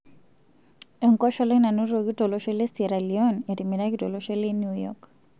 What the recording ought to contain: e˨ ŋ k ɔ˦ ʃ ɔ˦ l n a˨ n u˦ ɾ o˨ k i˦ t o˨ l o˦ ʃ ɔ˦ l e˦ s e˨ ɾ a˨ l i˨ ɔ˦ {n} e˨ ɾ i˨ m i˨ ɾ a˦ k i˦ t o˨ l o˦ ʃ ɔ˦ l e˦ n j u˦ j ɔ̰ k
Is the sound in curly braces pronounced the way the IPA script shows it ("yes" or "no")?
yes